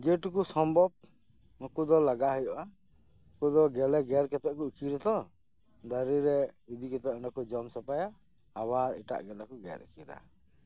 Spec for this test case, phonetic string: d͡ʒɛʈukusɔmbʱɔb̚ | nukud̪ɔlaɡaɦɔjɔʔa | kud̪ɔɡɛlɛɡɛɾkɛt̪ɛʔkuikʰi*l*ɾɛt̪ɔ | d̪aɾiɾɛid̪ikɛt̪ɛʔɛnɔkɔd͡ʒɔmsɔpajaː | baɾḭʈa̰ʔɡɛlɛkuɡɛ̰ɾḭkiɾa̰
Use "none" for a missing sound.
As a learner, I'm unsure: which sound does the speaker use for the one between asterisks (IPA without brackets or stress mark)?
none